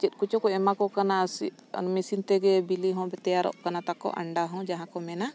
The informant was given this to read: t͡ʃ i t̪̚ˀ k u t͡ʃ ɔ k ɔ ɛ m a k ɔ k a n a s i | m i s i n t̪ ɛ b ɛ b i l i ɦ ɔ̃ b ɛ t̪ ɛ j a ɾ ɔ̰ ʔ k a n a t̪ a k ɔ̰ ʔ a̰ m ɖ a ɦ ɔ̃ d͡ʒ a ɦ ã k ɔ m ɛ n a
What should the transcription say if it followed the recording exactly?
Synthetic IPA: t͡ʃ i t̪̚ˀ k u t͡ʃ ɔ k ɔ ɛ m a k ɔ k a n a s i | m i s i n t̪ ɛ ɡ ɛ b i l i ɦ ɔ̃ b ɛ t̪ ɛ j a ɾ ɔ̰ ʔ k a n a t̪ a k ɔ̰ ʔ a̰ ɳ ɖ a ɦ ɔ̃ d͡ʒ a ɦ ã k ɔ m ɛ n a